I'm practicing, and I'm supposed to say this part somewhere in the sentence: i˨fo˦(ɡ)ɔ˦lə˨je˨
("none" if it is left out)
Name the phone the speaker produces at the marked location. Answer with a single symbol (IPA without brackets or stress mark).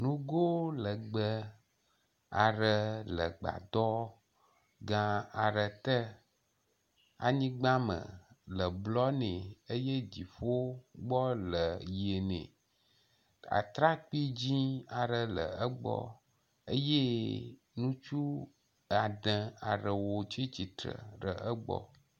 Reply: ɡ͡b